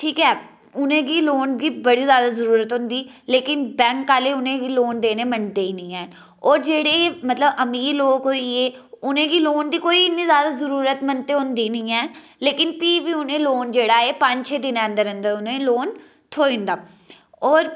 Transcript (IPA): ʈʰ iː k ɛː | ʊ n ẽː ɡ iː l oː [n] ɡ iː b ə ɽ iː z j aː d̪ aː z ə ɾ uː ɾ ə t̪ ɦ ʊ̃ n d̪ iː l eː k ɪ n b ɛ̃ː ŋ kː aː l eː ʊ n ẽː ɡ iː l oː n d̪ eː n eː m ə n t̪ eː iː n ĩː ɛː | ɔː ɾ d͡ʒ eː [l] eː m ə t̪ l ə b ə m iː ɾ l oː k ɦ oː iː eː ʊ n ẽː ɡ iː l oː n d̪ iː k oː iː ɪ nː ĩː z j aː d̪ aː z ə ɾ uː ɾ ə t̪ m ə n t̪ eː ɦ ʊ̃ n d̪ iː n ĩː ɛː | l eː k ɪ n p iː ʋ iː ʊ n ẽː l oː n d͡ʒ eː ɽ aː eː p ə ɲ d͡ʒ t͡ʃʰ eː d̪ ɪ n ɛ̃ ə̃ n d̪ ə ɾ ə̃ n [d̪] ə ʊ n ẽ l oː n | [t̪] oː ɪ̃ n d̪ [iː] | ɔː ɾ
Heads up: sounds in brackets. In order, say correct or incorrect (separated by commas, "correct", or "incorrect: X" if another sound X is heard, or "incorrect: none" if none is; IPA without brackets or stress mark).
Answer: correct, incorrect: ɽ, correct, incorrect: t̪ʰ, incorrect: aː